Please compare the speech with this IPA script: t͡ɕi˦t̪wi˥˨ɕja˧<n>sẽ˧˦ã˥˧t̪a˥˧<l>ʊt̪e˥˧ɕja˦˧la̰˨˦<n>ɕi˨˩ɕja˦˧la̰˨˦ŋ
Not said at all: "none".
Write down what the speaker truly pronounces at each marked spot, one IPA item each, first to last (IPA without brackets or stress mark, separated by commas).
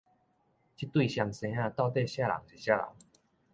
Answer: ŋ, none, ŋ